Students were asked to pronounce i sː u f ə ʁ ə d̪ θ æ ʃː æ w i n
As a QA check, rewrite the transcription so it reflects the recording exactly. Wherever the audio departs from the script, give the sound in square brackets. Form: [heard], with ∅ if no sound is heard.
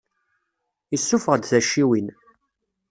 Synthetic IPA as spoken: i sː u f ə ʁ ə d̪ θ æ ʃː [i] w i n